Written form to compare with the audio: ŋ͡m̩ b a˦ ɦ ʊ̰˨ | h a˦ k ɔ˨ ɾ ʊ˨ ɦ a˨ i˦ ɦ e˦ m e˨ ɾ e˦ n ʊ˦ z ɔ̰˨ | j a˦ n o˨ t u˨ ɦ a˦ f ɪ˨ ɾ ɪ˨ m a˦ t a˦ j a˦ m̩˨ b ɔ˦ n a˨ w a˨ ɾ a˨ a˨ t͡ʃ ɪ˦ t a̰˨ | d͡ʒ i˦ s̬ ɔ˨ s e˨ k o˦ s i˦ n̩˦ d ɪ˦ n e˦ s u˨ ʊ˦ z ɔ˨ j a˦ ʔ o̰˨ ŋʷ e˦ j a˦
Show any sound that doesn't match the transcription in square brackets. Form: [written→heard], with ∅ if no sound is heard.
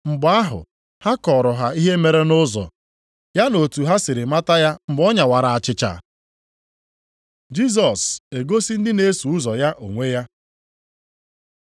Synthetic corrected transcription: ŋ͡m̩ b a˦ ɦ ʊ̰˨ | h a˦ k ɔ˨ ɾ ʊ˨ ɦ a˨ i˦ ɦ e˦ m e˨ ɾ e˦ n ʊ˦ z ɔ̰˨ | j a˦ n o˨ t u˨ ɦ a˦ [f→s] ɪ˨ ɾ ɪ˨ m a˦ t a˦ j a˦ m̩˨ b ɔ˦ [n→ɲ] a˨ w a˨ ɾ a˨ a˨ t͡ʃ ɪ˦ [t→t͡ʃ] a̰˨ | d͡ʒ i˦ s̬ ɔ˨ s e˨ [k→ɡ] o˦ s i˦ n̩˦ d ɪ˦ n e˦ s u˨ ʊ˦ z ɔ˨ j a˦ ʔ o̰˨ ŋʷ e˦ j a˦

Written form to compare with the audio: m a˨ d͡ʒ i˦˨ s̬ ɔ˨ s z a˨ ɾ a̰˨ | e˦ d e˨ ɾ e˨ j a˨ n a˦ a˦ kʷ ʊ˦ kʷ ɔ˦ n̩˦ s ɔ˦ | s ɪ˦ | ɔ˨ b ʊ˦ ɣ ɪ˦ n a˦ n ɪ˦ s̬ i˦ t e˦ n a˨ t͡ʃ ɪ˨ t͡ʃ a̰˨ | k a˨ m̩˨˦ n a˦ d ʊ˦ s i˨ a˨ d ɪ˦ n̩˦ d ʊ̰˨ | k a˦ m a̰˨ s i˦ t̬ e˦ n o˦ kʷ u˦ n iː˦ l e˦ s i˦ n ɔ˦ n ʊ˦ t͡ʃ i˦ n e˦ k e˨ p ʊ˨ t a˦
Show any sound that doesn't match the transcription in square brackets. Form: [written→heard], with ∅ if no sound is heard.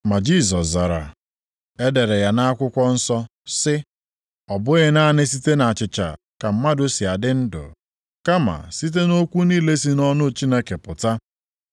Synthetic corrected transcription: m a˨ d͡ʒ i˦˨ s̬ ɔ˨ s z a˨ ɾ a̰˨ | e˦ d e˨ ɾ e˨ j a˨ n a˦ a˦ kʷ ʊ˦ kʷ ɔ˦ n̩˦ s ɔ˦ | s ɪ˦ | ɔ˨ b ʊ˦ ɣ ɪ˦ n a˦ n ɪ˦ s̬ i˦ t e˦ n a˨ t͡ʃ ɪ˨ t͡ʃ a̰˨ | k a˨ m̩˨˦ [n→m] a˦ d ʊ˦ s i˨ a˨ d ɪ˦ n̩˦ d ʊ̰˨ | k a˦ m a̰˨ s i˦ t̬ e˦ n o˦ kʷ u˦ n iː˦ l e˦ s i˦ n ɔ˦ n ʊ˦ t͡ʃ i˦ n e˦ k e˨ p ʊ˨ t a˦

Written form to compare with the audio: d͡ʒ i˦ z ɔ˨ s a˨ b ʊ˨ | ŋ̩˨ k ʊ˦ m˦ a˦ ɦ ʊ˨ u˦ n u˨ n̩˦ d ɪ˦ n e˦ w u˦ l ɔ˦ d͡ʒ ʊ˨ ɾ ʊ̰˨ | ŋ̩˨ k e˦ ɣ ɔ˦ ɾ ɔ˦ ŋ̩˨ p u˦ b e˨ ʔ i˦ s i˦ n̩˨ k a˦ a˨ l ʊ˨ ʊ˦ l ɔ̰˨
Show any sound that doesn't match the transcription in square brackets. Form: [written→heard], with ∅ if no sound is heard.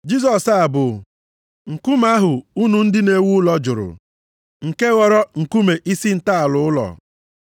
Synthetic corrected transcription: d͡ʒ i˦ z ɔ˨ s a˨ b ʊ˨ | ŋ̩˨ k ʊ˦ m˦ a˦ ɦ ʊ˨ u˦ n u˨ n̩˦ d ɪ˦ n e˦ w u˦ l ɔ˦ d͡ʒ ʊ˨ ɾ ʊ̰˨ | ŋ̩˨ k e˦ ɣ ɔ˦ ɾ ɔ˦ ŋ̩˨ [p→k] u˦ [b→m] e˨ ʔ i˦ s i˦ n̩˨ [k→t] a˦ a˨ l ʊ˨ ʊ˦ l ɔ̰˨

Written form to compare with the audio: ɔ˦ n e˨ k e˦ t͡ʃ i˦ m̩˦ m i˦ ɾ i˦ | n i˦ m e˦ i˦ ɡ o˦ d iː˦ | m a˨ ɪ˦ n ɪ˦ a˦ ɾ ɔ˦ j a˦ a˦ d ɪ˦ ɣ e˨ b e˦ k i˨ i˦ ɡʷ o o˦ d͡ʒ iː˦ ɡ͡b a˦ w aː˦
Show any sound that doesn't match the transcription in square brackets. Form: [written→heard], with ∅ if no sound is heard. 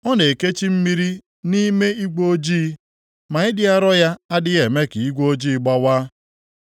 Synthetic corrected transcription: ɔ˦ n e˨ k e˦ t͡ʃ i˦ m̩˦ m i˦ ɾ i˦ | n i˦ m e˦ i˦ ɡ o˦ [d→d͡ʒ] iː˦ | m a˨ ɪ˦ [n→d] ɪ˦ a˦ ɾ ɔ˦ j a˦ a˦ d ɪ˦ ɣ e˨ [b→m] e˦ k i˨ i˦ ɡʷ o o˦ d͡ʒ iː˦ ɡ͡b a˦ w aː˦

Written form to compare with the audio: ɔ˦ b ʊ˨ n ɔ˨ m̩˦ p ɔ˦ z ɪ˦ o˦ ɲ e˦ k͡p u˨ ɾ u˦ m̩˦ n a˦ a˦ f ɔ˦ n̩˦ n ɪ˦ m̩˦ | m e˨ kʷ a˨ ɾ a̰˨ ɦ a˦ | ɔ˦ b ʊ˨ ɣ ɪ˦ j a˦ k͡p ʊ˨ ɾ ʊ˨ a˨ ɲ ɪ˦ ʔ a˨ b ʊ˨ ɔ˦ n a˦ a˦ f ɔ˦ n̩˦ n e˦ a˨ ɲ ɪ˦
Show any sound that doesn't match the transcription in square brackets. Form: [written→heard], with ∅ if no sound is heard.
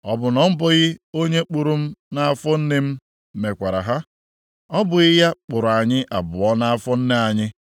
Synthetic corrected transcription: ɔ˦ b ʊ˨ n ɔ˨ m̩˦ [p→b] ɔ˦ [z→ɣ] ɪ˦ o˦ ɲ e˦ k͡p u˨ ɾ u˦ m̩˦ n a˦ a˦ f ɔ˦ n̩˦ n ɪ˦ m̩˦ | m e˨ kʷ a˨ ɾ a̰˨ ɦ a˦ | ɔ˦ b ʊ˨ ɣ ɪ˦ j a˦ k͡p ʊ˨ ɾ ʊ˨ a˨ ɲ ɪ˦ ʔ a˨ b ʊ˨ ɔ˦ n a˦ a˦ f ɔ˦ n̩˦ n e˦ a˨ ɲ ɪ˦

